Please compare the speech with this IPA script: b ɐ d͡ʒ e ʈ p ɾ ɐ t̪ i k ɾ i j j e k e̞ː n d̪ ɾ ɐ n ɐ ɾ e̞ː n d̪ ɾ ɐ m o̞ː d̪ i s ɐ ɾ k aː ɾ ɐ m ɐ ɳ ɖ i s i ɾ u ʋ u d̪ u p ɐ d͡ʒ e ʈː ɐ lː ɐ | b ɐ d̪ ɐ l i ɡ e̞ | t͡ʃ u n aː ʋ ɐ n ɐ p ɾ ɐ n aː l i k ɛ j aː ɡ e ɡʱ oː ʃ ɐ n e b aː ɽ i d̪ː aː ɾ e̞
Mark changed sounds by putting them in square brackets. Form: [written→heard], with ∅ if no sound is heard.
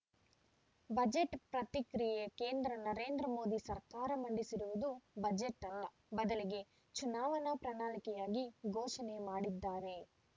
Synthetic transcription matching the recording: b ɐ d͡ʒ e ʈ p ɾ ɐ t̪ i k ɾ i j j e k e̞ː n d̪ ɾ ɐ n ɐ ɾ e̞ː n d̪ ɾ ɐ m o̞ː d̪ i s ɐ ɾ k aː ɾ ɐ m ɐ ɳ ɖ i s i ɾ u ʋ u d̪ u [p→b] ɐ d͡ʒ e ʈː ɐ lː ɐ | b ɐ d̪ ɐ l i ɡ e̞ | t͡ʃ u n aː ʋ ɐ n ɐ p ɾ ɐ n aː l i k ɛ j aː ɡ [e→i] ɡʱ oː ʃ ɐ n e [b→m] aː ɽ i d̪ː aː ɾ e̞

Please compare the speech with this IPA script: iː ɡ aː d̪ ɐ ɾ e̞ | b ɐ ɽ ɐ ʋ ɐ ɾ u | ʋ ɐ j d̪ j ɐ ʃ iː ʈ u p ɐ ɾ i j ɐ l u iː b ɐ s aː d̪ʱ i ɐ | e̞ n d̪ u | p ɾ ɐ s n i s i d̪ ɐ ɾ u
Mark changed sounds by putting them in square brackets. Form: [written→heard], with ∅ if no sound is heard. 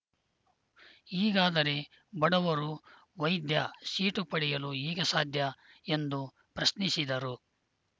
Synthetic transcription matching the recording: iː ɡ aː d̪ ɐ ɾ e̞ | b ɐ ɽ ɐ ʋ ɐ ɾ u | ʋ ɐ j d̪ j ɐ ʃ iː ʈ u p ɐ [ɾ→ɽ] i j ɐ l u iː [b→ɡ] ɐ s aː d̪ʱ [i→j] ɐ | e̞ n d̪ u | p ɾ ɐ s n i s i d̪ ɐ ɾ u

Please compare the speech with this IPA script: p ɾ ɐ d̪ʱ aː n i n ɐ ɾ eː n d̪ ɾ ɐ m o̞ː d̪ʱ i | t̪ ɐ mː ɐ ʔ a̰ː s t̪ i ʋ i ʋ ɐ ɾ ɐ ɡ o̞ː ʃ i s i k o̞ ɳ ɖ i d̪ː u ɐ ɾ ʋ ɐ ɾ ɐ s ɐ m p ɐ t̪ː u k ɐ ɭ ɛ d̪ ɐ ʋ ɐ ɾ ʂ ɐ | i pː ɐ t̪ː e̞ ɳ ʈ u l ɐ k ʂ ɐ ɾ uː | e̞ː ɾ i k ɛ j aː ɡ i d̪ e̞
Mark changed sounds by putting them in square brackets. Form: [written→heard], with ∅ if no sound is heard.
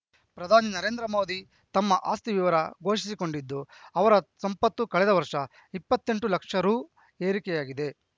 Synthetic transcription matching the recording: p ɾ ɐ d̪ʱ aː n i n ɐ ɾ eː n d̪ ɾ ɐ m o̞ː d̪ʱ i | t̪ ɐ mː ɐ ʔ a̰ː s t̪ i ʋ i ʋ ɐ ɾ ɐ ɡ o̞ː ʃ i s i k o̞ ɳ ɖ i d̪ː u ɐ [ɾ→∅] ʋ ɐ ɾ ɐ s ɐ m p ɐ t̪ː u k ɐ ɭ ɛ d̪ ɐ ʋ ɐ ɾ ʂ ɐ | i pː ɐ t̪ː e̞ ɳ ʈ u l ɐ k ʂ ɐ ɾ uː | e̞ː ɾ i k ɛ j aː ɡ i d̪ e̞

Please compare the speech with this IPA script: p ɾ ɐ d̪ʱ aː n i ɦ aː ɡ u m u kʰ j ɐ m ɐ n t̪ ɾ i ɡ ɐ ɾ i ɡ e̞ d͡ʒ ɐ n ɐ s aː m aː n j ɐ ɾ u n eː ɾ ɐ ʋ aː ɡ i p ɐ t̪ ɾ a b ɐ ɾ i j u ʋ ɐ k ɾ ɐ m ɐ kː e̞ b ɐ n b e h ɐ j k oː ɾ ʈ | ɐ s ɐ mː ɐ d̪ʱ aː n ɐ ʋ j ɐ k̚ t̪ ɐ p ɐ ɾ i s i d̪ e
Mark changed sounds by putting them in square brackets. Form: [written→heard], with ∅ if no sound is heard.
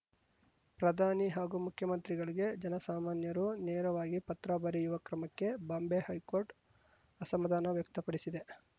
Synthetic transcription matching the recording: p ɾ ɐ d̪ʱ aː n i ɦ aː ɡ u m u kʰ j ɐ m ɐ n t̪ ɾ i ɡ ɐ [ɾ→ɭ] i ɡ e̞ d͡ʒ ɐ n ɐ s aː m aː n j ɐ ɾ u n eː ɾ ɐ ʋ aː ɡ i p ɐ t̪ ɾ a b ɐ ɾ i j u ʋ ɐ k ɾ ɐ m ɐ kː e̞ b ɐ [n→m] b e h ɐ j k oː ɾ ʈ | ɐ s ɐ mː ɐ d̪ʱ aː n ɐ ʋ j ɐ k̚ t̪ ɐ p ɐ [ɾ→ɽ] i s i d̪ e

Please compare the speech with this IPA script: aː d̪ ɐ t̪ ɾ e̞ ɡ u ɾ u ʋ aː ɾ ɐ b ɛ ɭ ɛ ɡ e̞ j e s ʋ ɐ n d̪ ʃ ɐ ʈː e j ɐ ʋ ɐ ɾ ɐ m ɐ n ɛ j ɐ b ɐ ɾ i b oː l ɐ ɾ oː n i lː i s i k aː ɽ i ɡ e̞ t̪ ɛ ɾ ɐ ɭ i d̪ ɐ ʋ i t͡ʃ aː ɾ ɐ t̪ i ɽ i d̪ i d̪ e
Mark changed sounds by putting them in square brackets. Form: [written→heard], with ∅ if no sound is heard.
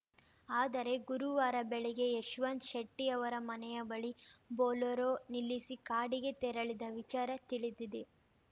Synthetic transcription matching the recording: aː d̪ ɐ [t̪→∅] ɾ e̞ ɡ u ɾ u ʋ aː ɾ ɐ b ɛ ɭ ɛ ɡ e̞ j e [s→ʃ] ʋ ɐ n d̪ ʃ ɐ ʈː [e→i] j ɐ ʋ ɐ ɾ ɐ m ɐ n ɛ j ɐ b ɐ [ɾ→ɭ] i b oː l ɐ ɾ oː n i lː i s i k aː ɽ i ɡ e̞ t̪ ɛ ɾ ɐ ɭ i d̪ ɐ ʋ i t͡ʃ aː ɾ ɐ t̪ i [ɽ→ɭ] i d̪ i d̪ e

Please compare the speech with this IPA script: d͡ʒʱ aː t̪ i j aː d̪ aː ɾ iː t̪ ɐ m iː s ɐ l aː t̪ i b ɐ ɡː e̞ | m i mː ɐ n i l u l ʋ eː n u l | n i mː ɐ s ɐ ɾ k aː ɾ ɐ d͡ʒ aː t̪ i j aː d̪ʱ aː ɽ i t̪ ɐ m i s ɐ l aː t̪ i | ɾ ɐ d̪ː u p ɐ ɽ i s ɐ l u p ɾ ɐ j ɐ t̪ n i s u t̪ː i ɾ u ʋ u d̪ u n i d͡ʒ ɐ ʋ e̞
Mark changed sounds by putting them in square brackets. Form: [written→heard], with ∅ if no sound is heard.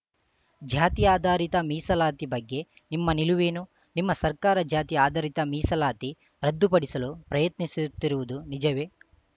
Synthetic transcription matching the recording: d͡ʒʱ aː t̪ i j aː d̪ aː ɾ [iː→i] t̪ ɐ m iː s ɐ l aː t̪ i b ɐ ɡː e̞ | [m→n] i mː ɐ n i l u [l→∅] ʋ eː n u [l→∅] | n i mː ɐ s ɐ ɾ k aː ɾ ɐ d͡ʒ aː t̪ i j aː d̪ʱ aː [ɽ→ɾ] i t̪ ɐ m [i→iː] s ɐ l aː t̪ i | ɾ ɐ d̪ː u p ɐ ɽ i s ɐ l u p ɾ ɐ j ɐ t̪ n i s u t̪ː i ɾ u ʋ u d̪ u n i d͡ʒ ɐ ʋ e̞

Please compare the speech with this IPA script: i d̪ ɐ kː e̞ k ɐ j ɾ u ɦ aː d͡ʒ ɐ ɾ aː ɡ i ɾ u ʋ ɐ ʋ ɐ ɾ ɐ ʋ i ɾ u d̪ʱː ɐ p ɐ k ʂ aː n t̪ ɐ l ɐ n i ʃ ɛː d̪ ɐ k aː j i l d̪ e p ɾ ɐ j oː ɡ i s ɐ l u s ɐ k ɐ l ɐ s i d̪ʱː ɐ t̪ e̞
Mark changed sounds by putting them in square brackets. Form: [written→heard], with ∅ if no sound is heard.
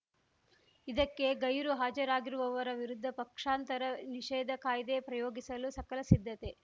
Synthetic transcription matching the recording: i d̪ ɐ kː e̞ [k→ɡ] ɐ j ɾ u ɦ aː d͡ʒ ɐ ɾ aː ɡ i ɾ u ʋ ɐ ʋ ɐ ɾ ɐ ʋ i ɾ u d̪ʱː ɐ p ɐ k ʂ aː n t̪ ɐ [l→ɾ] ɐ n i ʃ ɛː d̪ ɐ k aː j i [l→∅] d̪ e p ɾ ɐ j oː ɡ i s ɐ l u s ɐ k ɐ l ɐ s i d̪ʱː ɐ t̪ e̞

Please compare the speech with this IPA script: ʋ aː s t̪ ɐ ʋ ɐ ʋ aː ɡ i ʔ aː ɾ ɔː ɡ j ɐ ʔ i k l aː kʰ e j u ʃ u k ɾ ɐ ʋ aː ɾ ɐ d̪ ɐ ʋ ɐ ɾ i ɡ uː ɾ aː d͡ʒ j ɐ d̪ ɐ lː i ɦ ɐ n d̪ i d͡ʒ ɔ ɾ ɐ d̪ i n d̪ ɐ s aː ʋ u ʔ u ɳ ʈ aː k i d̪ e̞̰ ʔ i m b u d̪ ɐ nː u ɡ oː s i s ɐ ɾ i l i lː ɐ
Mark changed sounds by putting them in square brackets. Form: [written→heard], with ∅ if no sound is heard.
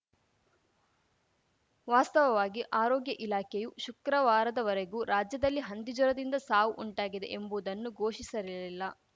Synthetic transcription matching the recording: ʋ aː s t̪ ɐ ʋ ɐ ʋ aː ɡ i ʔ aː ɾ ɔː ɡ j ɐ ʔ i [k→∅] l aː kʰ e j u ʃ u k ɾ ɐ ʋ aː ɾ ɐ d̪ ɐ ʋ ɐ ɾ [i→e] ɡ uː ɾ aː d͡ʒ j ɐ d̪ ɐ lː i ɦ ɐ n d̪ i d͡ʒ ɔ ɾ ɐ d̪ i n d̪ ɐ s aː ʋ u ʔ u ɳ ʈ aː [k→ɡ] i d̪ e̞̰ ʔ [i→e] m b u d̪ ɐ nː u ɡ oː [s→ʃ] i s ɐ ɾ i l i lː ɐ

